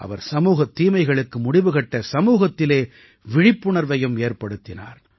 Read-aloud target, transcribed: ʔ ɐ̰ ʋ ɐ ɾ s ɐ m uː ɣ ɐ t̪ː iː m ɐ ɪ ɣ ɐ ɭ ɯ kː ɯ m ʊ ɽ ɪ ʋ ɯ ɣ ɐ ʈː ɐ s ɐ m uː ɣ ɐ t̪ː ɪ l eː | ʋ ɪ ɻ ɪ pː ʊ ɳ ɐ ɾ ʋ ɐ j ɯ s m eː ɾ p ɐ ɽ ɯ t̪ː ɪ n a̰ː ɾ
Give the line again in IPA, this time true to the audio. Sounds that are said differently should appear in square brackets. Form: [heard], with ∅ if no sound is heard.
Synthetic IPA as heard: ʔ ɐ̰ ʋ ɐ ɾ s ɐ m uː ɣ ɐ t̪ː iː m ɐ ɪ ɣ ɐ ɭ ɯ kː ɯ m ʊ ɽ ɪ ʋ ɯ ɣ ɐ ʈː ɐ s ɐ m uː ɣ ɐ t̪ː ɪ l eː | ʋ ɪ ɻ ɪ pː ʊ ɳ ɐ ɾ ʋ ɐ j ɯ [∅] m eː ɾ p ɐ ɽ ɯ t̪ː ɪ n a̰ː ɾ

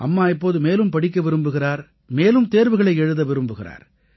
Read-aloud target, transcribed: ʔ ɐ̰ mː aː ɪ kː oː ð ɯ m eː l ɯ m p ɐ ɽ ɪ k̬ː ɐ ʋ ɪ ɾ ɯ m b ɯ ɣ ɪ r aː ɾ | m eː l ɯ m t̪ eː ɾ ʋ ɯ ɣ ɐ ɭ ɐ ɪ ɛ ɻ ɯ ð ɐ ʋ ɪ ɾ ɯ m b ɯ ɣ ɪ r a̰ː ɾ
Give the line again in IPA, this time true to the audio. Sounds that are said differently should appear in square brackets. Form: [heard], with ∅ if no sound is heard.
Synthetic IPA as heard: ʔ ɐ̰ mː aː ɪ [pː] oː ð ɯ m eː l ɯ m p ɐ ɽ ɪ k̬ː ɐ ʋ ɪ ɾ ɯ m b ɯ ɣ ɪ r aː ɾ | m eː l ɯ m t̪ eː ɾ ʋ ɯ ɣ ɐ ɭ ɐ ɪ ɛ ɻ ɯ ð ɐ ʋ ɪ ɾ ɯ m b ɯ ɣ ɪ r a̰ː ɾ

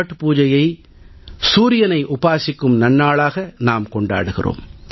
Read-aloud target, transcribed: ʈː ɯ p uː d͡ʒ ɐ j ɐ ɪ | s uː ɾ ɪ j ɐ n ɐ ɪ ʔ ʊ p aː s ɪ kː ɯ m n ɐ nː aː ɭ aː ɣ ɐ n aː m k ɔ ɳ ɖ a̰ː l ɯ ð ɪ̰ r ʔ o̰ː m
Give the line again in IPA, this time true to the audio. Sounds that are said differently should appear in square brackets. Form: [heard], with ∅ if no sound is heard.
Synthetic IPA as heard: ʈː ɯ p uː d͡ʒ ɐ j ɐ ɪ | s uː ɾ ɪ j ɐ n ɐ ɪ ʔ ʊ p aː s ɪ kː ɯ m n ɐ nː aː ɭ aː ɣ ɐ n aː m k ɔ ɳ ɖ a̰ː [ɽ] ɯ [ɣ] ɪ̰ r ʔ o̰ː m

